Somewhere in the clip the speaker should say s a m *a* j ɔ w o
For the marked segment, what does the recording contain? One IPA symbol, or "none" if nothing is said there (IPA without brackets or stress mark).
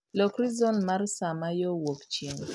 a